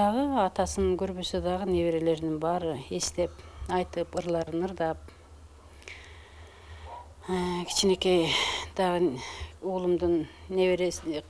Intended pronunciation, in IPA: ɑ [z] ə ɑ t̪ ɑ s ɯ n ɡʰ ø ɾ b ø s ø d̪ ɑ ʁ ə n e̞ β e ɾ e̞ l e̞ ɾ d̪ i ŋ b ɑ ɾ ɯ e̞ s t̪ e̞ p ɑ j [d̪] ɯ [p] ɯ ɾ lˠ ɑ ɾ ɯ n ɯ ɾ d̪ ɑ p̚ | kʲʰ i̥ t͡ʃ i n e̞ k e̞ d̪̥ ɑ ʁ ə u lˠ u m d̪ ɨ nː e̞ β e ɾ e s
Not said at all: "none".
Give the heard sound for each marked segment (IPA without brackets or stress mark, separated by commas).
ʁ, t̪, p